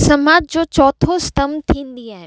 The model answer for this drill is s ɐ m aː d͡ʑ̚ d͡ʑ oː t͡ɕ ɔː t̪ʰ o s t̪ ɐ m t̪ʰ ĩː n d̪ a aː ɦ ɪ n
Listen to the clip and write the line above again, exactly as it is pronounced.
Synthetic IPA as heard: s ɐ m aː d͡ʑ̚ d͡ʑ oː t͡ɕ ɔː t̪ʰ o s t̪ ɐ m t̪ʰ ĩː n d̪ i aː ɦ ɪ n